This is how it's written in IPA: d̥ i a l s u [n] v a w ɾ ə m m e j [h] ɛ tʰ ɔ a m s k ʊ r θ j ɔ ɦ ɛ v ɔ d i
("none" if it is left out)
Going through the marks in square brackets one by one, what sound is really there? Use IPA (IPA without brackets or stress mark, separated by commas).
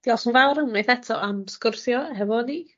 n, θ